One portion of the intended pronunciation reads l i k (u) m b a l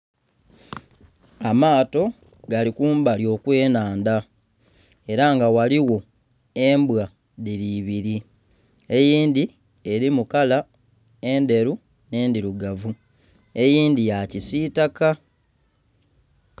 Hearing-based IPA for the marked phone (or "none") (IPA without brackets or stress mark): uː